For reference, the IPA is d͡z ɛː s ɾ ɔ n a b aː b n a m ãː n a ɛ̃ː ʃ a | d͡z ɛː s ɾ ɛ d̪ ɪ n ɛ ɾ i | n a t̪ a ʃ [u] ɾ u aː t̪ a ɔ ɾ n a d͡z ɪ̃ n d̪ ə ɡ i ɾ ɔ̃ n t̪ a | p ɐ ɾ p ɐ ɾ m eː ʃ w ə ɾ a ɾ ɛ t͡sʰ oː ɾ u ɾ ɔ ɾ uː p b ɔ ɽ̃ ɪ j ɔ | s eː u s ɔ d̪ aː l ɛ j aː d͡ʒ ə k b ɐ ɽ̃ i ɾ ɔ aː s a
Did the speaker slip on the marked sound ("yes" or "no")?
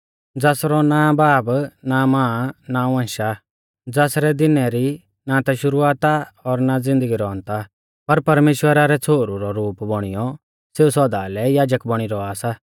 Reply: yes